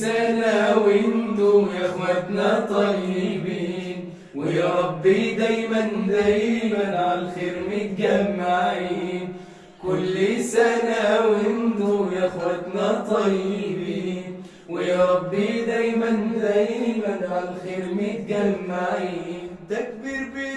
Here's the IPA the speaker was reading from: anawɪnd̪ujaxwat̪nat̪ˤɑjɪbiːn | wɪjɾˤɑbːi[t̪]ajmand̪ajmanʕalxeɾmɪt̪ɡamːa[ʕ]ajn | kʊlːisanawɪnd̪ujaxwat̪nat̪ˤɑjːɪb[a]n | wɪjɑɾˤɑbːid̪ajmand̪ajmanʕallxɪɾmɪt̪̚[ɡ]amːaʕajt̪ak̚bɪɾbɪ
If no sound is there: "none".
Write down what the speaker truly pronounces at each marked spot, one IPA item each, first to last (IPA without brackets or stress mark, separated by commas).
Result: d̪, ʕ, i, ɡ